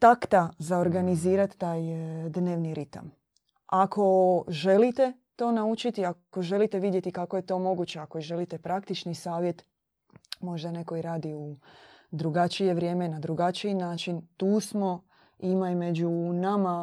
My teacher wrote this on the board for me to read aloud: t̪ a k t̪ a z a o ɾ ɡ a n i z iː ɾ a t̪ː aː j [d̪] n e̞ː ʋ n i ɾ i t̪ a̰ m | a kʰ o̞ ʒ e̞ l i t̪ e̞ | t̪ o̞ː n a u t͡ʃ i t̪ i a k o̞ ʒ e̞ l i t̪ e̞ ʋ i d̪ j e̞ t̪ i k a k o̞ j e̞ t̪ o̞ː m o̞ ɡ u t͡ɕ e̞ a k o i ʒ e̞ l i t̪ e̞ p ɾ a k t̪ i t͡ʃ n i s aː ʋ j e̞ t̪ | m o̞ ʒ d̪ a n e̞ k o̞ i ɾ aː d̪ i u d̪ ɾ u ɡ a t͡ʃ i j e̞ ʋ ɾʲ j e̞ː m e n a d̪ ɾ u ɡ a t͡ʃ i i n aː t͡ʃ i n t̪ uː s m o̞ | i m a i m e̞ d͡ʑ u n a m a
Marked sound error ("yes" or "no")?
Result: no